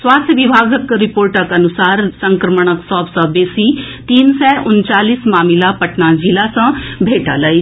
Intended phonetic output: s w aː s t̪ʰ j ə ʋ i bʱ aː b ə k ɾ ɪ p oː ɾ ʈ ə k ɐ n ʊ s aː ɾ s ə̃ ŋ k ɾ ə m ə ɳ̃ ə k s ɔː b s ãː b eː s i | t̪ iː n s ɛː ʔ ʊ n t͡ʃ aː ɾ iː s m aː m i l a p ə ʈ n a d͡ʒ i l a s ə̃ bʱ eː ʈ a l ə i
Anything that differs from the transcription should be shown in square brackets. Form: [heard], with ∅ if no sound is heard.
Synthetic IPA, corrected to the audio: s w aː s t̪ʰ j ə ʋ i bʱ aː [ɡ] ə k ɾ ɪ p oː ɾ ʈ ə k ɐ n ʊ s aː ɾ s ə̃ ŋ k ɾ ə m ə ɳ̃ ə k s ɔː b s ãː b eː s i | t̪ iː n s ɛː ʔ ʊ n t͡ʃ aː [l] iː s m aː m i l a p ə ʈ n a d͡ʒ i l a s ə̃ bʱ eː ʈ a l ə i